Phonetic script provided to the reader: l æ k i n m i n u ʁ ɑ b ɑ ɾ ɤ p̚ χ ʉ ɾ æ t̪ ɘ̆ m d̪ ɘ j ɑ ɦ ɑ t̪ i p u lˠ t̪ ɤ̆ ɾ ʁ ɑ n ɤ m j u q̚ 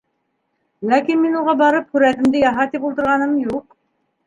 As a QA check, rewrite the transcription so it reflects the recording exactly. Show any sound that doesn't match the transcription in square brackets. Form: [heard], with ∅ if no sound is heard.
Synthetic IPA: l æ k i n m i n u ʁ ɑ b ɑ ɾ ɤ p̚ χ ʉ ɾ æ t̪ ɘ̆ m d̪ ɘ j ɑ ɦ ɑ t̪ i p u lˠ t̪ ɤ̆ ɾ ʁ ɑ n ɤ m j u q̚